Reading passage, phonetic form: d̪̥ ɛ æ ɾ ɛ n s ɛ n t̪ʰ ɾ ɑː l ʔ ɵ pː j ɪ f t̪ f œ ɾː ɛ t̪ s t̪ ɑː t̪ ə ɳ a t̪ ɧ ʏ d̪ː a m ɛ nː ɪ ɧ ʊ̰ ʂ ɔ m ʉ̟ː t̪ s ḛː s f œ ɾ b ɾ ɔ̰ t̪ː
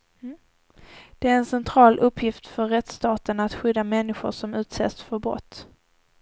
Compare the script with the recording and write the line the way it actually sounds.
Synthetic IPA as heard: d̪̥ ɛ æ ɾ ɛ n s ɛ n t̪ʰ ɾ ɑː l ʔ ɵ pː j ɪ f t̪ f œ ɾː ɛ t̪ s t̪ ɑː t̪ ə n a t̪ ɧ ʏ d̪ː a m ɛ nː ɪ ɧ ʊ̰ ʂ ɔ m ʉ̟ː t̪ s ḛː s f œ ɾ b ɾ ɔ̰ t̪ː

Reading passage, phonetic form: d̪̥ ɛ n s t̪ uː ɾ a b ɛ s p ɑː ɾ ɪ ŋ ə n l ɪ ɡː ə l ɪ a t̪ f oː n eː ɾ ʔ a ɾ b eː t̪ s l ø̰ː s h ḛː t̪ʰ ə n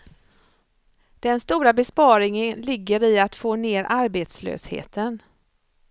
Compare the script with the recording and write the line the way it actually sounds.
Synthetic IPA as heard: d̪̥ ɛ n s t̪ uː ɾ a b ɛ s p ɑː ɾ ɪ ŋ ə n l ɪ ɡː ə ɾ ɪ a t̪ f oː n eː ɾ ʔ a ɾ b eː t̪ s l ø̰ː s h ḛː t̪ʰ ə n

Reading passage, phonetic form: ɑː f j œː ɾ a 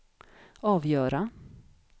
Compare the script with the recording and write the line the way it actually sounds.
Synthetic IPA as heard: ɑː v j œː ɾ a

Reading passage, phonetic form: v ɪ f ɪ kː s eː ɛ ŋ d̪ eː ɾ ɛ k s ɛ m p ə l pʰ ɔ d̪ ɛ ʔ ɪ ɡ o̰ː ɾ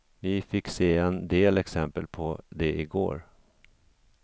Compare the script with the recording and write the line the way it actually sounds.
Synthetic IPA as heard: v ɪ f ɪ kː s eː ɛ n d̪ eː l ɛ k s ɛ m p ə l pʰ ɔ d̪ ɛ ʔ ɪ ɡ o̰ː ɾ

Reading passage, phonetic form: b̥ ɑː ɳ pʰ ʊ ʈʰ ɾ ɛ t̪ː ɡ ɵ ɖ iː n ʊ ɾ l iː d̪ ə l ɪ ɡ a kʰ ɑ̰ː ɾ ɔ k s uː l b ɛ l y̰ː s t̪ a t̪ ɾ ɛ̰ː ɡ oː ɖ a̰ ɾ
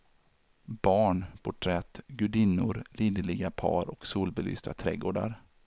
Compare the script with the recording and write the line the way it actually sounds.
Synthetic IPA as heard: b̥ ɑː ɳ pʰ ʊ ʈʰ ɾ ɛ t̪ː ɡ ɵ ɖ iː n ʊ ɾ l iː d̪ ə l ɪ ɡ a pʰ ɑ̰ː ɾ ɔ k s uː l b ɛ l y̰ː s t̪ a t̪ʰ ɾ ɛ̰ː ɡ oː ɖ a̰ ɾ

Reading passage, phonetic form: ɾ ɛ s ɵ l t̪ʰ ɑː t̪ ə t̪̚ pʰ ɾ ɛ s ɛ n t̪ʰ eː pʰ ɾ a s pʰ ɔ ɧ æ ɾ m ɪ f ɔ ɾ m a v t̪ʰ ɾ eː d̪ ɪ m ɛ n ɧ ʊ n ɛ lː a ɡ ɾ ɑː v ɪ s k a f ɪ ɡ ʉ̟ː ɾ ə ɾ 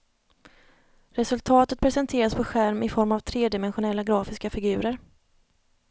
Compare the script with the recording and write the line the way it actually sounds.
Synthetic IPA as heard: ɾ ɛ s ɵ l t̪ʰ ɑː t̪ ə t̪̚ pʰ ɾ ɛ s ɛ n t̪ʰ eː ɾ a s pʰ ɔ ɧ æ ɾ m ɪ f ɔ ɾ m a v t̪ʰ ɾ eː d̪ ɪ m ɛ n ɧ ʊ n ɛ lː a ɡ ɾ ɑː f ɪ s k a f ɪ ɡ ʉ̟ː ɾ ə ɾ

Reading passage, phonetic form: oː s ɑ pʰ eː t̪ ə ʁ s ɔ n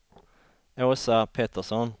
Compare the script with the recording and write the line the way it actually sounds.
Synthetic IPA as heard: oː s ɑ pʰ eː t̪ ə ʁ s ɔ n

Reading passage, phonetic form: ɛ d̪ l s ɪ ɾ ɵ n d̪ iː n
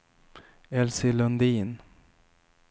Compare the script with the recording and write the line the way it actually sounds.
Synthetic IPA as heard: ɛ l s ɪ l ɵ n d̪ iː n

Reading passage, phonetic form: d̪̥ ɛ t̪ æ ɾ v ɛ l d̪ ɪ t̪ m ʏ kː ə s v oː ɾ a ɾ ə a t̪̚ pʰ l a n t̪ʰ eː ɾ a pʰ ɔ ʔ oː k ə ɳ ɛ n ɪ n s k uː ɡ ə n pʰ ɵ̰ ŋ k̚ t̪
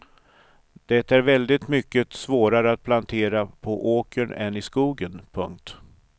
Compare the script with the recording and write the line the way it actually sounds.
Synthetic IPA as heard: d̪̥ ɛ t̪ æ ɾ v ɛ l d̪ ɪ t̪ m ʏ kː ə s v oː ɾ a ɾ ə a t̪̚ pʰ l a n t̪ʰ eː ɾ a pʰ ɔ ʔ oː k ə ɳ ɛ n ɪ s k uː ɡ ə n pʰ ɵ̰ ŋ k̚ t̪

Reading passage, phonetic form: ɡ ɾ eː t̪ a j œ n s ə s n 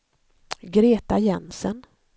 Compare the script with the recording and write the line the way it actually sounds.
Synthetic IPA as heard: ɡ ɾ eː t̪ a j ɛ n s ə n

